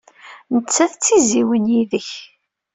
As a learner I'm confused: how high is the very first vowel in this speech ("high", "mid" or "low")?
mid